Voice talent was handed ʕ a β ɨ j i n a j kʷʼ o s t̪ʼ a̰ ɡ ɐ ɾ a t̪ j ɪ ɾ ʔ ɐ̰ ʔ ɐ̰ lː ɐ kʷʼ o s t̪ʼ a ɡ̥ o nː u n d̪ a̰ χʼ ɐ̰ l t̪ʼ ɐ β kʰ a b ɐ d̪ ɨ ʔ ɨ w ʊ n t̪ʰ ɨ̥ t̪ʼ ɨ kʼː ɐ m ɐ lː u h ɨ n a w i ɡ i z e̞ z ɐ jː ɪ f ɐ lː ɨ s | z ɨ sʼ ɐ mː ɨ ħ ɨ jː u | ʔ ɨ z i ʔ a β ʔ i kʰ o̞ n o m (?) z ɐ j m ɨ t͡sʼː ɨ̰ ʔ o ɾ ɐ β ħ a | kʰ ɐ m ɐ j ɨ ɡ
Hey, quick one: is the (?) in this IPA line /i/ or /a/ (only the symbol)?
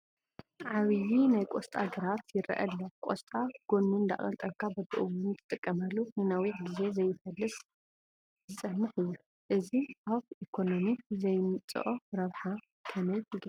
i